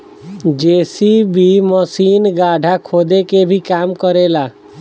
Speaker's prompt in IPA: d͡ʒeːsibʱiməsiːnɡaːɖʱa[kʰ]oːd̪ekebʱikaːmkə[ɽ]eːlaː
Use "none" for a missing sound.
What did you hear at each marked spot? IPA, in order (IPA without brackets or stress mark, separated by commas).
kʰ, ɾ